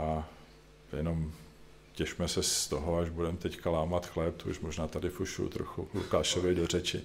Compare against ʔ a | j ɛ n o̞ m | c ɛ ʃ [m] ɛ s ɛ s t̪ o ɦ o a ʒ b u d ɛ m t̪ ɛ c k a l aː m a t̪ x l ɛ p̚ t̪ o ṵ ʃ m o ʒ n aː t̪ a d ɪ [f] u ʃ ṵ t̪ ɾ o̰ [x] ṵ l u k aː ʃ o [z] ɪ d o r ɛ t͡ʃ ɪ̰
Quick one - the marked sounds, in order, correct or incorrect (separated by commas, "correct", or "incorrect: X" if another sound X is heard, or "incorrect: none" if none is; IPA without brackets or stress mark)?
correct, correct, correct, incorrect: v